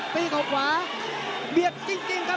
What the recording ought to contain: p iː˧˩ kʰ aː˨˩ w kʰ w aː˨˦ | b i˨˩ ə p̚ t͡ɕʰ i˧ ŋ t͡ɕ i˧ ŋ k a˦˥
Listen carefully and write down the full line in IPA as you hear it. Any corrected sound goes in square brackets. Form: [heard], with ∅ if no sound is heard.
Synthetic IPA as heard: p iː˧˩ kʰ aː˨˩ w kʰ w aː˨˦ | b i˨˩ ə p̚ [t͡ɕ] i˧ ŋ t͡ɕ i˧ ŋ k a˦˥